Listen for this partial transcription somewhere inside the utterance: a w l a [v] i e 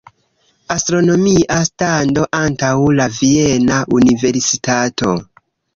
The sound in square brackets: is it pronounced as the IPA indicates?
yes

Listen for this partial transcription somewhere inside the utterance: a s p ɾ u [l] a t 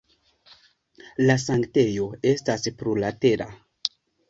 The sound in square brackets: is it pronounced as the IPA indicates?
yes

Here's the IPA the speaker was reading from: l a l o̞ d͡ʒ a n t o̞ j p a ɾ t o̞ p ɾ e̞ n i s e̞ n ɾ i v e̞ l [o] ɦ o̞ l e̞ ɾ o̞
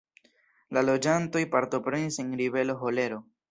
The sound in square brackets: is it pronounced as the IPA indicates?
yes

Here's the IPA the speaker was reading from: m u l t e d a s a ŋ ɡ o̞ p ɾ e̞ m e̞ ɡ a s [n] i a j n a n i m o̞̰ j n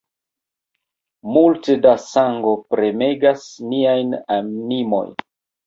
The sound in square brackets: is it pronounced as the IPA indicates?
yes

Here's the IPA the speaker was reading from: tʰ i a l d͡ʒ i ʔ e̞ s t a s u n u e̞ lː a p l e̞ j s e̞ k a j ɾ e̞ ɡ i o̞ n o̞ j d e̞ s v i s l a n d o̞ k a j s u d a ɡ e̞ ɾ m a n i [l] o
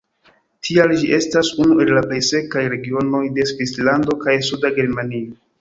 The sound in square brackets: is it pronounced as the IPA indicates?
no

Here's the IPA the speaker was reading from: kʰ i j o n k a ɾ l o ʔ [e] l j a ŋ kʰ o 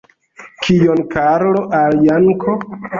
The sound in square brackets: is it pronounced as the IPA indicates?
no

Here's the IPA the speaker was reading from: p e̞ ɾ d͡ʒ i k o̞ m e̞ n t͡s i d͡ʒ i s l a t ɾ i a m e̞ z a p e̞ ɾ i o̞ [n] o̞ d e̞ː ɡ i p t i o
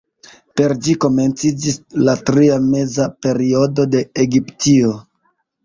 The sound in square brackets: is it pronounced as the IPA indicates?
no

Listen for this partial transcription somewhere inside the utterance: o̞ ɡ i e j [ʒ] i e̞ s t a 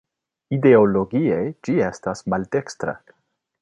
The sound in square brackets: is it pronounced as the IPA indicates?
no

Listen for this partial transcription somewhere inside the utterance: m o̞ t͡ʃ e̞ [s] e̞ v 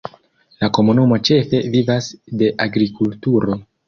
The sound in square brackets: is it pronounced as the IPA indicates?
no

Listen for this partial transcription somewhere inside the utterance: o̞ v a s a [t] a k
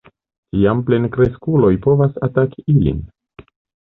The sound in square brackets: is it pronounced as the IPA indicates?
yes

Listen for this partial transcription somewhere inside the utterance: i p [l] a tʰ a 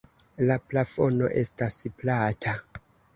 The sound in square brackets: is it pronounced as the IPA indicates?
yes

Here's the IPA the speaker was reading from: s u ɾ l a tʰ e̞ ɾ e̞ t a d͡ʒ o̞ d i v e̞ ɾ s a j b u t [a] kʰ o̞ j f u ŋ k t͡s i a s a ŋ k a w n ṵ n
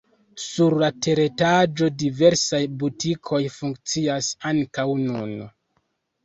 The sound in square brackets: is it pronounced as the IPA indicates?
no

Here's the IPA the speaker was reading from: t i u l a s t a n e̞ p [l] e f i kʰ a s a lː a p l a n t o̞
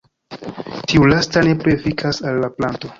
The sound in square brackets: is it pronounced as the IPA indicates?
no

